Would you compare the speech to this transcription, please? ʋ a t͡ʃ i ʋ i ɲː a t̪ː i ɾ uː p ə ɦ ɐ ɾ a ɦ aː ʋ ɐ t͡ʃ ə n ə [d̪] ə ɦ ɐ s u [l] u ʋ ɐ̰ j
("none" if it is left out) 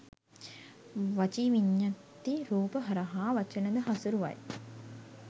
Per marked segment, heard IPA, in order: d̪, ɾ

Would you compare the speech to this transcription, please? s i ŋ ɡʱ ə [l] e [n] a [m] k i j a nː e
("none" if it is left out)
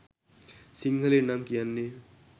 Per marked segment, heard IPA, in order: l, n, m

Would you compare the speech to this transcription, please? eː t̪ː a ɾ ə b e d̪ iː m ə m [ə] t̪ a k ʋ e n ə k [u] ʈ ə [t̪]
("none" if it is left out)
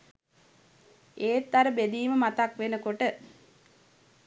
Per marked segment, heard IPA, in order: a, o, none

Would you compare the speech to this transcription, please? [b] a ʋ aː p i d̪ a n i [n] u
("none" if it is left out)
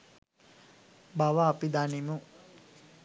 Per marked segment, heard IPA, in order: b, m

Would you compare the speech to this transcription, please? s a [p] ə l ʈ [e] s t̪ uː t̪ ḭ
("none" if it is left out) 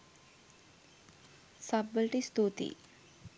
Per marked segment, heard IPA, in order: b, i

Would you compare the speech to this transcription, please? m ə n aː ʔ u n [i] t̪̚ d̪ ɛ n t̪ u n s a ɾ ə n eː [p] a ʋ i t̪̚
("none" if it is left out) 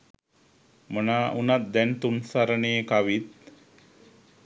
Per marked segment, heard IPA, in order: a, k

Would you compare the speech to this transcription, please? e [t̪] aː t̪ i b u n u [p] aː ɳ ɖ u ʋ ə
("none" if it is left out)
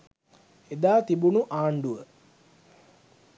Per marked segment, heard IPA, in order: d̪, ʔ

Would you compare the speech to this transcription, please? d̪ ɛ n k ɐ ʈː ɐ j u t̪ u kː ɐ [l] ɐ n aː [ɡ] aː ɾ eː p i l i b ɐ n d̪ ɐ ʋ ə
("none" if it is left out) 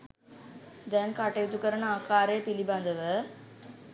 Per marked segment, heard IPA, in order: ɾ, k

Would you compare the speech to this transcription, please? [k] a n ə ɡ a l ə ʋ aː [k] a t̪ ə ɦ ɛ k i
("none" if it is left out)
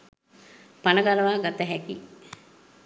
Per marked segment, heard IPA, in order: p, ɡ

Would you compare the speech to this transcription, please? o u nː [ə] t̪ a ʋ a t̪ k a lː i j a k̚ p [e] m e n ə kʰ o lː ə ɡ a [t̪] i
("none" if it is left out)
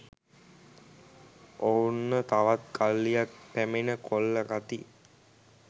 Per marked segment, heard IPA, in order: ə, æ, t̪

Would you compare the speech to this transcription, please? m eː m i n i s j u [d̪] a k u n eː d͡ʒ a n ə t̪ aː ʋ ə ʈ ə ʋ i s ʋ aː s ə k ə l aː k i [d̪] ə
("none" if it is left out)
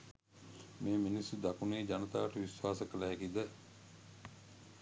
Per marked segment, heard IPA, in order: d̪, d̪

